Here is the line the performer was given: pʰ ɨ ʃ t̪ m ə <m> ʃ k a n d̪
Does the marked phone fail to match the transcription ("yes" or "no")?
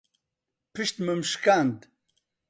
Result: no